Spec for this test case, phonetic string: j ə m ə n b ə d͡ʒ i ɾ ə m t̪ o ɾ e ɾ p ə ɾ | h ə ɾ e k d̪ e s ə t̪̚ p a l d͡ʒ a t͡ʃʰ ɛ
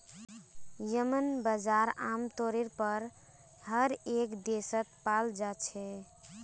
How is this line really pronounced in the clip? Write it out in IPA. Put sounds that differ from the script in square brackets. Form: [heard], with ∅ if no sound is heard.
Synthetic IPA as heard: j ə m ə n b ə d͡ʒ [a] ɾ [a] m t̪ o ɾ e ɾ p ə ɾ | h ə ɾ e k d̪ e s ə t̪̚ p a l d͡ʒ a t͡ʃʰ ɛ